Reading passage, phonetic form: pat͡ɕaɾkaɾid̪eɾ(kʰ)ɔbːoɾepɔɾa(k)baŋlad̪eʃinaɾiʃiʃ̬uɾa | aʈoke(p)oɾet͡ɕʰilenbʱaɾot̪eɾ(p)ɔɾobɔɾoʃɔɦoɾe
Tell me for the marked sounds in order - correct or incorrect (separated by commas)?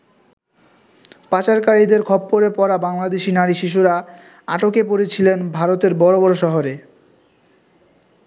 correct, incorrect, correct, incorrect